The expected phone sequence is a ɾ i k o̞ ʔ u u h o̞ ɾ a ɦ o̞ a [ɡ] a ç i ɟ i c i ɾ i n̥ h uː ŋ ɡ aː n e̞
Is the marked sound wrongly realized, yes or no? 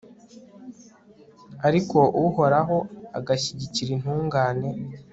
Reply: no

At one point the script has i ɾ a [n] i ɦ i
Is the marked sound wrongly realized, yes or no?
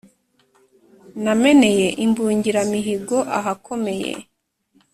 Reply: yes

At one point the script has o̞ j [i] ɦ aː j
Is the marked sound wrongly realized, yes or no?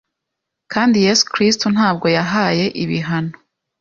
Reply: yes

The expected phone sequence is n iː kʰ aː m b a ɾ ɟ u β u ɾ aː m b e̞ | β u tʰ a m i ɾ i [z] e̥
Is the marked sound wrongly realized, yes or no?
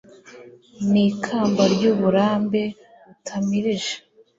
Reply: yes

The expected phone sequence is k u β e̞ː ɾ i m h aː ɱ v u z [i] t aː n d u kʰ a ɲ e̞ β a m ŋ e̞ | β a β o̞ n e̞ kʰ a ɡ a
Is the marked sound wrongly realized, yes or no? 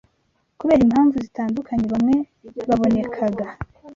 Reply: no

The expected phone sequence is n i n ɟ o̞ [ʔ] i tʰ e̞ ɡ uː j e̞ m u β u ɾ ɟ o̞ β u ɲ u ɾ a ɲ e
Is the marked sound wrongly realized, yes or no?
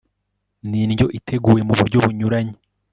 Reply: no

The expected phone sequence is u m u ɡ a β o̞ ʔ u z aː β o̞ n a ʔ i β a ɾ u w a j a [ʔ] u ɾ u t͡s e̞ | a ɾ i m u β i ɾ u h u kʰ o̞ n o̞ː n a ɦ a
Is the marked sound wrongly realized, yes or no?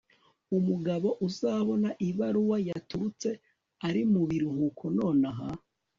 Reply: yes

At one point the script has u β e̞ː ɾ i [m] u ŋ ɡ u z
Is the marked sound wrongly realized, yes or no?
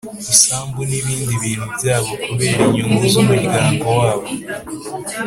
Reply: yes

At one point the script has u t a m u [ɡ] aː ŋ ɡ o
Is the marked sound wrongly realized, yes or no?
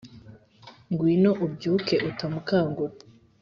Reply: yes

